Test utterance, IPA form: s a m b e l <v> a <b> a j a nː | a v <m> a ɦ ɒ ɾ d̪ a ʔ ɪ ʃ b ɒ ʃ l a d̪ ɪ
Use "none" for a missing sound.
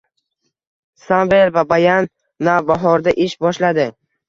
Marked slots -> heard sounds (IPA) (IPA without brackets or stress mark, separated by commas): v, b, b